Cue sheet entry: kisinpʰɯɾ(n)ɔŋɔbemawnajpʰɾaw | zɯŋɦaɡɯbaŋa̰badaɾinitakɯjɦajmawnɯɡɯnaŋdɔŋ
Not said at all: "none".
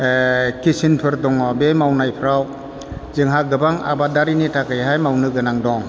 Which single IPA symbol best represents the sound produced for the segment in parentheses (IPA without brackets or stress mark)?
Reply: d